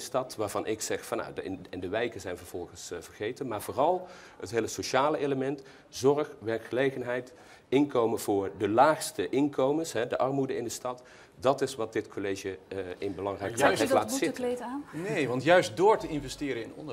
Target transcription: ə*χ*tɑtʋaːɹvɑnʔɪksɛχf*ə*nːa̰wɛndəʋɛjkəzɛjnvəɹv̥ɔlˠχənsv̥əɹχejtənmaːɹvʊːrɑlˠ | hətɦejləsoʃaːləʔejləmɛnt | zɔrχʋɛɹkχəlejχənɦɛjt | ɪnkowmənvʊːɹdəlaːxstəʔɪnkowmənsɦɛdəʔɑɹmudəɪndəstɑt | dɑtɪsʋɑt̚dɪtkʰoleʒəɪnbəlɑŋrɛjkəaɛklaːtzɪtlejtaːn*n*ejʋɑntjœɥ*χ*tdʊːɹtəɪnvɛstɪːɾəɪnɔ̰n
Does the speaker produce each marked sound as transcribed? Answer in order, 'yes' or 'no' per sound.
no, no, yes, no

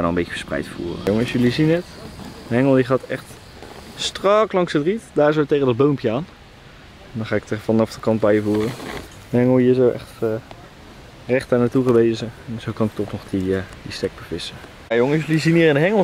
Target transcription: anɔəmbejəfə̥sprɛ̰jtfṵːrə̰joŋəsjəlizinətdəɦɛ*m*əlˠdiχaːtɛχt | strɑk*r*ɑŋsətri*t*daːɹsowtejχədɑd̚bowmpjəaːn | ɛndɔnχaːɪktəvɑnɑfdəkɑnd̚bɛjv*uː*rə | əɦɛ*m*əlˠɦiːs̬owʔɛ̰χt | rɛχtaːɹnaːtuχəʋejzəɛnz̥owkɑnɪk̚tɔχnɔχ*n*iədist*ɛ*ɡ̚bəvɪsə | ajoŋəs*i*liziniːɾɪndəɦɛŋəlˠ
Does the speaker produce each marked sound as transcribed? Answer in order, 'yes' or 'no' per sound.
no, no, yes, yes, no, no, yes, no

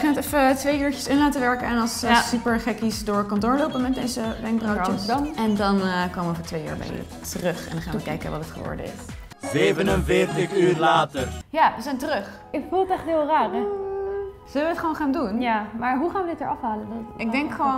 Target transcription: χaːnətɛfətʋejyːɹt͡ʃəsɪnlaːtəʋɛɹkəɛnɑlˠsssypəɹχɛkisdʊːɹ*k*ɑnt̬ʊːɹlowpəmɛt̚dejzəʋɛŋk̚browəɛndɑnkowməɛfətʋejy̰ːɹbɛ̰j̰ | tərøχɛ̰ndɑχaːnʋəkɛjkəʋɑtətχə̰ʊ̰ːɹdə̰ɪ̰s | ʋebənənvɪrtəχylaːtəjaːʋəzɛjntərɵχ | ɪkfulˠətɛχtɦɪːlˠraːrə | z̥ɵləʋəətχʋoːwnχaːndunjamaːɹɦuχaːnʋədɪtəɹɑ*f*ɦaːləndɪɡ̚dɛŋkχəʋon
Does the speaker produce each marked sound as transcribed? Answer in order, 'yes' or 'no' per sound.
yes, yes

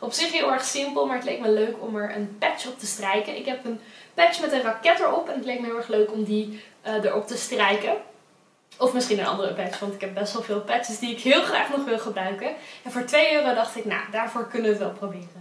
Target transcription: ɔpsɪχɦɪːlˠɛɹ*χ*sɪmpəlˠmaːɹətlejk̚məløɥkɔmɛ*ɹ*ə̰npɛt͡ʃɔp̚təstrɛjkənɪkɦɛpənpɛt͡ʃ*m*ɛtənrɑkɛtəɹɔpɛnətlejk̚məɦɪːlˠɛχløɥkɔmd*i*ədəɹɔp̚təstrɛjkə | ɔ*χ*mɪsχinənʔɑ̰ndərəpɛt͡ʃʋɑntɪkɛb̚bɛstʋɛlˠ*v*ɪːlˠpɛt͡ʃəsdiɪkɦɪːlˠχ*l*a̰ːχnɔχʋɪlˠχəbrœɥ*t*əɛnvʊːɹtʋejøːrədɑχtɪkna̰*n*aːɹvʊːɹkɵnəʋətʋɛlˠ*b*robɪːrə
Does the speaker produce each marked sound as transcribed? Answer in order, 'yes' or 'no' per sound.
yes, yes, yes, yes, no, yes, no, no, no, no

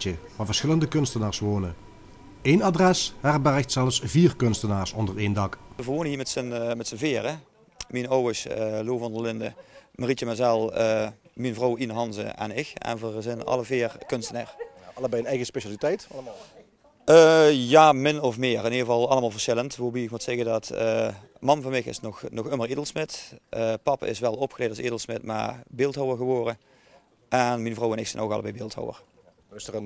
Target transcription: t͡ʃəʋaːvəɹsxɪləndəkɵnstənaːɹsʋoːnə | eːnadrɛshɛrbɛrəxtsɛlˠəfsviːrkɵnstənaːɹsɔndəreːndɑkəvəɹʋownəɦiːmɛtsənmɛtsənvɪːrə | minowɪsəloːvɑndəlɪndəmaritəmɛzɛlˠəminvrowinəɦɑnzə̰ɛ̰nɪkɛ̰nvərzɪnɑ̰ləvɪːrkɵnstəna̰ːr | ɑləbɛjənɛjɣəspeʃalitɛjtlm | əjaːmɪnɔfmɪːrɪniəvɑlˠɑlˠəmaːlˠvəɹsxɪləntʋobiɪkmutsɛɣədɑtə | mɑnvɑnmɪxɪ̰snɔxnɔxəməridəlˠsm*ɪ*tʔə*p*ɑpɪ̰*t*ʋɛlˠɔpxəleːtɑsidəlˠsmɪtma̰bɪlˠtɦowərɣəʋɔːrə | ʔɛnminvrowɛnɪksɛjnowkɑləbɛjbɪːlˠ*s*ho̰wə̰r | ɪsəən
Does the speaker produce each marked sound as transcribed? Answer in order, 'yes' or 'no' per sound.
yes, yes, no, no

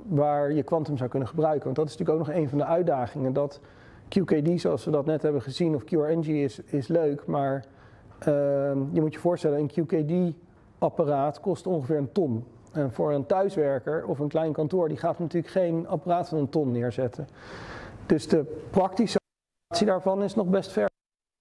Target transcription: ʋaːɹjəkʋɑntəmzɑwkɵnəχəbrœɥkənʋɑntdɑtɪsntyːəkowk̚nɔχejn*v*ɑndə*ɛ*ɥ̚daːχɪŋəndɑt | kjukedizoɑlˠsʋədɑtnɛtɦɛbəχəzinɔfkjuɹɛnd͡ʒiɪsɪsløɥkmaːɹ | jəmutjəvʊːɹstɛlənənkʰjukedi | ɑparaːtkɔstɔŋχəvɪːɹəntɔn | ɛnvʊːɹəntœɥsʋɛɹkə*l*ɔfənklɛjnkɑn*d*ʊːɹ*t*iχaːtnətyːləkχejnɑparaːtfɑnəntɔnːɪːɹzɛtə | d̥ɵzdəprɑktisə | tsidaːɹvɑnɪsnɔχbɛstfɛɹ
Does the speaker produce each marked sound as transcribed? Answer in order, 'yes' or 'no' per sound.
yes, no, no, no, no

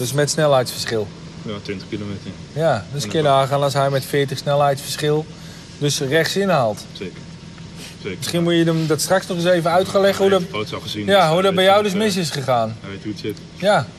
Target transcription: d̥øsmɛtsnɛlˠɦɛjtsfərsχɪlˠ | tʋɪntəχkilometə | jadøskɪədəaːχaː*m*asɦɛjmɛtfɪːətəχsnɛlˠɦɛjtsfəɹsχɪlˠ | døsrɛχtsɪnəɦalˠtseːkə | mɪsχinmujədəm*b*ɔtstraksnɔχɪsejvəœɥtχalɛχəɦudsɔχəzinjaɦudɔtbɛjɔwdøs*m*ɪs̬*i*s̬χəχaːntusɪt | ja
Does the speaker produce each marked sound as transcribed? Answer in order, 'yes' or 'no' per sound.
no, no, yes, no

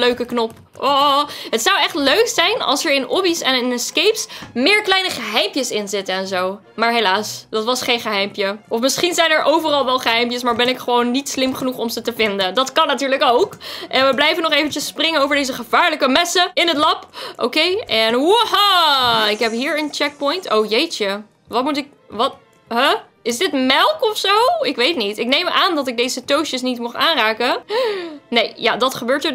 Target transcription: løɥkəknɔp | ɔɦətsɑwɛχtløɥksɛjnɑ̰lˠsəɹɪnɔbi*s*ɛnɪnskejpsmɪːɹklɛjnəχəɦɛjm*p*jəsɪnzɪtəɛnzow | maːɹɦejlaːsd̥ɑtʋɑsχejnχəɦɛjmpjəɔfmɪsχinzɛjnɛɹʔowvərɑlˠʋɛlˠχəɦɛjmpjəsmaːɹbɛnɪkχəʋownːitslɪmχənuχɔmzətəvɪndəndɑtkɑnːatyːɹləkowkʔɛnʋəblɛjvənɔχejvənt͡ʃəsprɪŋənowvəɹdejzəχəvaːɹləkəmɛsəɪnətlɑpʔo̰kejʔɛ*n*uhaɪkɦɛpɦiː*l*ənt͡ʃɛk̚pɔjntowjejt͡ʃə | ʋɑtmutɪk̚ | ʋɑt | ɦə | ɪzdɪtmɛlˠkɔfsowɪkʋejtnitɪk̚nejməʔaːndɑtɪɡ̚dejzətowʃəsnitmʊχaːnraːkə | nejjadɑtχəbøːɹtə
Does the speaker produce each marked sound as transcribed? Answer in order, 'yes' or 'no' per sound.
yes, yes, yes, no

